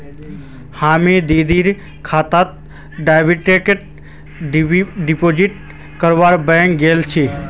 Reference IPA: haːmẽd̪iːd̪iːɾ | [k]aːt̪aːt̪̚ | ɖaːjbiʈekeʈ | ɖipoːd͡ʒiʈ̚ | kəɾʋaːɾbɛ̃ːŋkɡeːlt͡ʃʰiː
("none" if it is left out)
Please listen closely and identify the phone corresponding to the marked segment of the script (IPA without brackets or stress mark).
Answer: kʰ